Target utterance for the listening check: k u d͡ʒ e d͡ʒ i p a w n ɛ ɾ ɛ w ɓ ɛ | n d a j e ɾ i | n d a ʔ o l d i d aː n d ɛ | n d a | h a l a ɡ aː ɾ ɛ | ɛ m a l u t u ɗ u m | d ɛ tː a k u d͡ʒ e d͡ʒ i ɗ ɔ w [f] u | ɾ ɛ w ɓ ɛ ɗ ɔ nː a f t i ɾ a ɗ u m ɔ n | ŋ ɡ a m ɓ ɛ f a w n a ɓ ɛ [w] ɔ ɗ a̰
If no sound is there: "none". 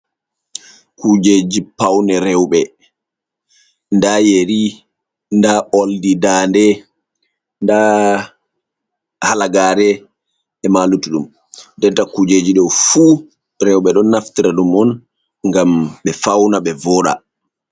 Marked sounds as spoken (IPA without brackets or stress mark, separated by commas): f, v